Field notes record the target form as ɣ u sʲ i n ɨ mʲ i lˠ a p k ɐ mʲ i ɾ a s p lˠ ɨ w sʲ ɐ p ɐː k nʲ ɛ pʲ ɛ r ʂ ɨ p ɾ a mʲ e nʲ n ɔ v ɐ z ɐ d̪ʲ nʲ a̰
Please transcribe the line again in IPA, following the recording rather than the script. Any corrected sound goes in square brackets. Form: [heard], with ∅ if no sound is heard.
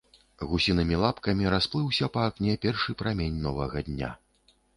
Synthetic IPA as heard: ɣ u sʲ i n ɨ mʲ i lˠ a p k ɐ mʲ i ɾ a s p lˠ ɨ w sʲ ɐ p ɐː k nʲ ɛ pʲ ɛ r ʂ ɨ p ɾ a mʲ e nʲ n ɔ v ɐ [ɣ] ɐ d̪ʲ nʲ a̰

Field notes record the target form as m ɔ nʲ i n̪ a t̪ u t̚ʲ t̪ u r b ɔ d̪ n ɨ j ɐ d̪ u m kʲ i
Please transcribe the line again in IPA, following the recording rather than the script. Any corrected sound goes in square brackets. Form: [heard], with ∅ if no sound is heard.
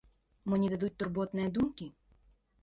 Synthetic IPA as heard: m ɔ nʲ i [d̪] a [d̪] u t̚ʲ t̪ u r b ɔ [t̪] n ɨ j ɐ d̪ u m kʲ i

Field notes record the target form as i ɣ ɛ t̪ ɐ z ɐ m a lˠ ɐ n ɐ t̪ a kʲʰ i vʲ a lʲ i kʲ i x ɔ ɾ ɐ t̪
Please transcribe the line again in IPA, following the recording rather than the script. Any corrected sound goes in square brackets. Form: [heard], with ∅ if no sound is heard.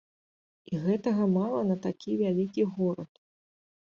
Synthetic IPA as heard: i ɣ ɛ t̪ ɐ [ɣ] ɐ m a lˠ ɐ n ɐ t̪ a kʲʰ i vʲ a lʲ i kʲ i [ɣ] ɔ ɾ ɐ t̪

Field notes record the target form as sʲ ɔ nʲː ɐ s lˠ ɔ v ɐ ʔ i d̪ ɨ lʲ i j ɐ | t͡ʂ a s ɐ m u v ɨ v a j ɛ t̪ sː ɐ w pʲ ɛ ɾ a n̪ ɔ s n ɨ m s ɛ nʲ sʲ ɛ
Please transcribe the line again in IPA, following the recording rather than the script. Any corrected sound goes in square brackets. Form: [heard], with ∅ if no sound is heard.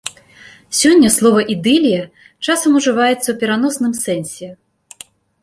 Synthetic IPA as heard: sʲ ɔ nʲː ɐ s lˠ ɔ v ɐ ʔ i d̪ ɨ lʲ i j ɐ | t͡ʂ a s ɐ m u [ʐ] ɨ v a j ɛ t̪ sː ɐ w pʲ ɛ ɾ a n̪ ɔ s n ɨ m s ɛ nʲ sʲ ɛ

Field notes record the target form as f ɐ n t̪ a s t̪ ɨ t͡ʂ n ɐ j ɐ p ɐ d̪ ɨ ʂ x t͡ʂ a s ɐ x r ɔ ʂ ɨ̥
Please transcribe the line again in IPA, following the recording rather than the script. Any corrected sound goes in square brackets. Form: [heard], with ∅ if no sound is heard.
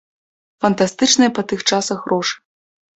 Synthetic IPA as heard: f ɐ n t̪ a s t̪ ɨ t͡ʂ n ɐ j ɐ p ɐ [t̪] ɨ [∅] x t͡ʂ a s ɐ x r ɔ ʂ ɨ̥

